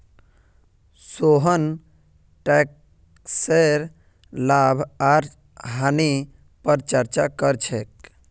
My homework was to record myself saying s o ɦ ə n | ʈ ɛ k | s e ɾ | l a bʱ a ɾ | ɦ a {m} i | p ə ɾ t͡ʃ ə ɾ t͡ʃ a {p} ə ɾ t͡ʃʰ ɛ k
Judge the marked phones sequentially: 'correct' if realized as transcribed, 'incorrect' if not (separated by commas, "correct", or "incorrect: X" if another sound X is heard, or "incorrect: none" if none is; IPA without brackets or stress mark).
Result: incorrect: n, incorrect: k